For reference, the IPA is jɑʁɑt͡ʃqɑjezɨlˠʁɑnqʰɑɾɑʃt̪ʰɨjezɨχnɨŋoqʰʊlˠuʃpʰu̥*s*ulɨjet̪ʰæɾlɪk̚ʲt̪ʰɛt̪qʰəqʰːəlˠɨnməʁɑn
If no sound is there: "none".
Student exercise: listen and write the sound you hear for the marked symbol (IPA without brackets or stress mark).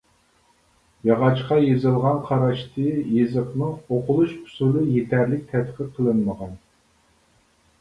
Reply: s